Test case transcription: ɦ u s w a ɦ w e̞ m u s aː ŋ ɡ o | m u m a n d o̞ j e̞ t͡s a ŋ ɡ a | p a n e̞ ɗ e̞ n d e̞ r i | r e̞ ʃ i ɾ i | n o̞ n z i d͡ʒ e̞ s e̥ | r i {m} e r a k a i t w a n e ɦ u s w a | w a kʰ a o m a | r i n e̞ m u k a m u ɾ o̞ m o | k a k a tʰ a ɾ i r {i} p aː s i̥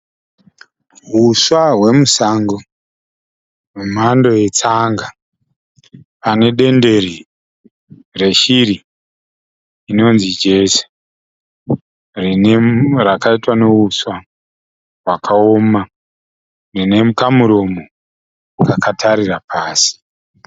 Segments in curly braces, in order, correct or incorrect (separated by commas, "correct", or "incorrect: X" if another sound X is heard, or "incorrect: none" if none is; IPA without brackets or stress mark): incorrect: n, incorrect: a